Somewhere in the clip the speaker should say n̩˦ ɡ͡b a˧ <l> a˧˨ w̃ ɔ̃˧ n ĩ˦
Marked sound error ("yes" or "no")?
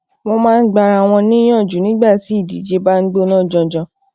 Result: yes